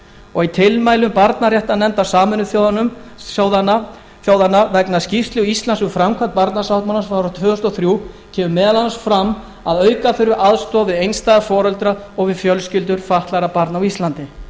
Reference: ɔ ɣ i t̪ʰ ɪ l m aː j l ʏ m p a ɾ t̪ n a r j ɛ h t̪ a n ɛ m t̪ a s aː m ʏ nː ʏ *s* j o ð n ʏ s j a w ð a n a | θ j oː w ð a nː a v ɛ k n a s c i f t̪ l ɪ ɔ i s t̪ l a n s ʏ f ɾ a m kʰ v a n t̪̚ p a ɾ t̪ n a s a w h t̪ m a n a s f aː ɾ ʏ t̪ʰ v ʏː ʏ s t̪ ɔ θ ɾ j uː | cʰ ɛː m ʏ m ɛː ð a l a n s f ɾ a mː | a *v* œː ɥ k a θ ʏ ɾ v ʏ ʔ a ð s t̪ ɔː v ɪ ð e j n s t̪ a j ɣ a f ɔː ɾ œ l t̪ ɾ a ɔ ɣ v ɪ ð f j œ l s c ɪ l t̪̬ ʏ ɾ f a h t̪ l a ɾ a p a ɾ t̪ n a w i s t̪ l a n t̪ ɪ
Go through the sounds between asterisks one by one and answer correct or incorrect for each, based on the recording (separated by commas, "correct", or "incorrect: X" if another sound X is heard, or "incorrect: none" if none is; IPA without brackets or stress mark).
incorrect: θ, incorrect: ð